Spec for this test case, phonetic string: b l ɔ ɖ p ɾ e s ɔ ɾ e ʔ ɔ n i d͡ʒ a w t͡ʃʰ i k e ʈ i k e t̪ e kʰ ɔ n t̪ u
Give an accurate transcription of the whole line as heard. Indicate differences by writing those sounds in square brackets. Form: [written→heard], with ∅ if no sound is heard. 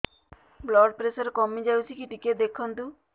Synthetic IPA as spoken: b l ɔ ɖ p ɾ e s ɔ ɾ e [ʔ→k] ɔ [n→m] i d͡ʒ a w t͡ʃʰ i k [e→i] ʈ i k e [t̪→d̪] e kʰ ɔ n t̪ u